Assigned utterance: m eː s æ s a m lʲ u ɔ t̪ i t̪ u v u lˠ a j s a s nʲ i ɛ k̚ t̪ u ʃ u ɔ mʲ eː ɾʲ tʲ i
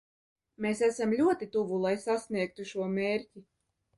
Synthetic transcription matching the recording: m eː s æ s a m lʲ u ɔ t̪ i t̪ u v u lˠ a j s a s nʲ i ɛ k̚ t̪ u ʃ u ɔ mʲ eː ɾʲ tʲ i